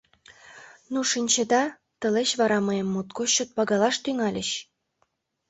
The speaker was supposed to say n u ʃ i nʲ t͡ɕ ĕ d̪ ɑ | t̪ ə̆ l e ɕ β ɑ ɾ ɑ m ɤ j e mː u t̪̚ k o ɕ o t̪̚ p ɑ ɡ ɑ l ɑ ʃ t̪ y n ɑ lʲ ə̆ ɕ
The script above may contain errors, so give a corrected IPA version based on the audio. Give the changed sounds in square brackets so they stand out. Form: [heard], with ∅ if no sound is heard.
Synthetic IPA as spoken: n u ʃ i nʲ t͡ɕ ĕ d̪ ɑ | t̪ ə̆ l e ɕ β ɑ ɾ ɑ m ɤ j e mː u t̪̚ k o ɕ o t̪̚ p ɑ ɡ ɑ l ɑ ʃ t̪ y [ŋ] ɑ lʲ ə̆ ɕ